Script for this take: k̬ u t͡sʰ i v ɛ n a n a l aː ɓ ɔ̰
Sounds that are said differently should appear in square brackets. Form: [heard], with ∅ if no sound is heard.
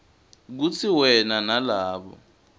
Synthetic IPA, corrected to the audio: k̬ u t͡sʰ i [w] ɛ n a n a l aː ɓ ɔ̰